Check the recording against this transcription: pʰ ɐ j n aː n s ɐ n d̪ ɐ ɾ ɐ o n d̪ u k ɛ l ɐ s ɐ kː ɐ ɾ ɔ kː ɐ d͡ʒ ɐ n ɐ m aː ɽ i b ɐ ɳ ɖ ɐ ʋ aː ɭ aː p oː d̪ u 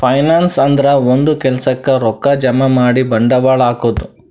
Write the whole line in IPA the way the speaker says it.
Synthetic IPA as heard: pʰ ɐ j n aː n s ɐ n d̪ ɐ ɾ ɐ o n d̪ u k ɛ l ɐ s ɐ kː ɐ ɾ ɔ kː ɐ d͡ʒ ɐ m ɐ m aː ɽ i b ɐ ɳ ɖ ɐ ʋ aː ɭ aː k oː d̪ u

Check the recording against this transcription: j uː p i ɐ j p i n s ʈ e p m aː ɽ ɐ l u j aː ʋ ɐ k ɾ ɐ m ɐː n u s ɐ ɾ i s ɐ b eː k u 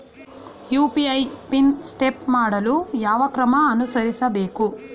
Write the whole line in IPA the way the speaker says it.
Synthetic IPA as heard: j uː p i ɐ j p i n s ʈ e p m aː ɽ ɐ l u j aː ʋ ɐ k ɾ ɐ m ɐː n u s ɐ ɾ i s ɐ b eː k u

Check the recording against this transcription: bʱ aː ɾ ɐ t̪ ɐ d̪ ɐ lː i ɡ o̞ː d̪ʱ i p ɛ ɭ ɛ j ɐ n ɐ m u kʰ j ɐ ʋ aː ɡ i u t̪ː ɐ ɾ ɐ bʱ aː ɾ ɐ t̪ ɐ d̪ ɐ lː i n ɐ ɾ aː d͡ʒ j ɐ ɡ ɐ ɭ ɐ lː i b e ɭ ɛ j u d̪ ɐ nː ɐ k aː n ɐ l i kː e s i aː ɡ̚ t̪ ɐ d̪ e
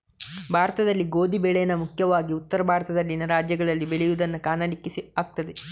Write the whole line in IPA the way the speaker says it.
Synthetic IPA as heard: bʱ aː ɾ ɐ t̪ ɐ d̪ ɐ lː i ɡ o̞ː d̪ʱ i b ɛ ɭ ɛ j ɐ n ɐ m u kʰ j ɐ ʋ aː ɡ i u t̪ː ɐ ɾ ɐ bʱ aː ɾ ɐ t̪ ɐ d̪ ɐ lː i n ɐ ɾ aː d͡ʒ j ɐ ɡ ɐ ɭ ɐ lː i b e ɭ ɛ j u d̪ ɐ nː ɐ k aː n ɐ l i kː i s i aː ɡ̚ t̪ ɐ d̪ e

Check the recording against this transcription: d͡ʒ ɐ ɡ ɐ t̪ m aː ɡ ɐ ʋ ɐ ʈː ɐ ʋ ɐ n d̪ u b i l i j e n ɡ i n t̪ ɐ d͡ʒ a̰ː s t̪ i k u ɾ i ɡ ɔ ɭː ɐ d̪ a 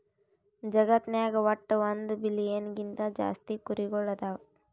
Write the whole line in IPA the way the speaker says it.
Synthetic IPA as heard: d͡ʒ ɐ ɡ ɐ t̪ n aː ɡ ɐ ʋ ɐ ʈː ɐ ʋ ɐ n d̪ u b i l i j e n ɡ i n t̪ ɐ d͡ʒ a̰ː s t̪ i k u ɾ i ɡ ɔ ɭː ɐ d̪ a

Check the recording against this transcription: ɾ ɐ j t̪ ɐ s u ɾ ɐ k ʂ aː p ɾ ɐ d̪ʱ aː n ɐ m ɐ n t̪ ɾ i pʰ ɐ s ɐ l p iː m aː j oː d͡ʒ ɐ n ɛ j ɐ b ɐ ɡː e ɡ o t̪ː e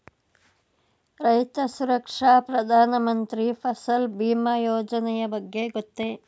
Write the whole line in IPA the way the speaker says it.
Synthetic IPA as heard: ɾ ɐ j t̪ ɐ s u ɾ ɐ k ʂ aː p ɾ ɐ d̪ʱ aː n ɐ m ɐ n t̪ ɾ i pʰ ɐ s ɐ l b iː m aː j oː d͡ʒ ɐ n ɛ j ɐ b ɐ ɡː e ɡ o t̪ː e

